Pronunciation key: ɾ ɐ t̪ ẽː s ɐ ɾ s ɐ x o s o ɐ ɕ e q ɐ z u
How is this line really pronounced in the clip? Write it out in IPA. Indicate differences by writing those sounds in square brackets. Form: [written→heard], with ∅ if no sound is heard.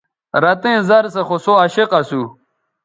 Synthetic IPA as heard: ɾ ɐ t̪ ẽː [s→z] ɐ ɾ s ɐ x o s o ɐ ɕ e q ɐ [z→s] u

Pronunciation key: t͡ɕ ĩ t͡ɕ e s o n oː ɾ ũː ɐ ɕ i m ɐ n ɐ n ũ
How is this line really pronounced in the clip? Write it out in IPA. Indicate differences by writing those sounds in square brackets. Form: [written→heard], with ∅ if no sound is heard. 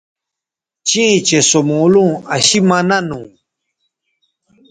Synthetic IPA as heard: t͡ɕ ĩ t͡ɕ e s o [n→m] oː [ɾ→l] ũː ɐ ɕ i m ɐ n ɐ n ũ

